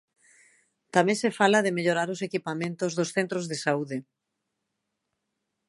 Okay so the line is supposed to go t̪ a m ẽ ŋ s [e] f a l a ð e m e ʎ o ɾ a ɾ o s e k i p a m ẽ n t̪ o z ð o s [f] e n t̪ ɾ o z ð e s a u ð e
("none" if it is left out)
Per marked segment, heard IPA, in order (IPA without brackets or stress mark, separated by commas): e, θ